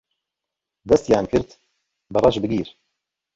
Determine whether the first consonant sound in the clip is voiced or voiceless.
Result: voiced